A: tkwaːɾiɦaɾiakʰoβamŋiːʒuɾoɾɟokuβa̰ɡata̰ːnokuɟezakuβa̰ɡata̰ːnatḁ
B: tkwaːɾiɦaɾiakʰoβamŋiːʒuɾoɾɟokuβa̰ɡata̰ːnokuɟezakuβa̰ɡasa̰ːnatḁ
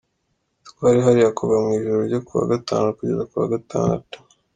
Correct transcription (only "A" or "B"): A